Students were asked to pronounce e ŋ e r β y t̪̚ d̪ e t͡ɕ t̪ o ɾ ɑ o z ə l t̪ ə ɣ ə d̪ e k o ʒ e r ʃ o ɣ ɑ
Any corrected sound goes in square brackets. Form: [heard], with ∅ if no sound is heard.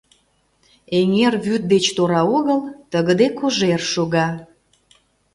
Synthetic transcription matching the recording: e ŋ e r β y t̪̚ d̪ e t͡ɕ t̪ o ɾ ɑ o [ɣ] ə l t̪ ə ɣ ə d̪ e k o ʒ e r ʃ o ɣ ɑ